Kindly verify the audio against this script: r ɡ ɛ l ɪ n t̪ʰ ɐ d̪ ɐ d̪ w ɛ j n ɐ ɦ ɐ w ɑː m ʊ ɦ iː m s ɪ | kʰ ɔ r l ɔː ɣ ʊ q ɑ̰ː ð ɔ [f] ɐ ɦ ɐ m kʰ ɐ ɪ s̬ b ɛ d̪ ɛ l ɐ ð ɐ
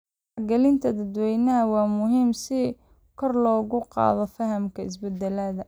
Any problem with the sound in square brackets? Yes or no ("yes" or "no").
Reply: no